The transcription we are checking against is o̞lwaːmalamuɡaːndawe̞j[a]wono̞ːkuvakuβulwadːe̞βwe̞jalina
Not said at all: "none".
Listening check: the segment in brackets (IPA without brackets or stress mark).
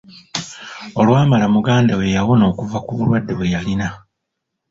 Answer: a